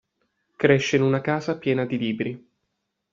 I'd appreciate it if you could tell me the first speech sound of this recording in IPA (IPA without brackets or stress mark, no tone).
k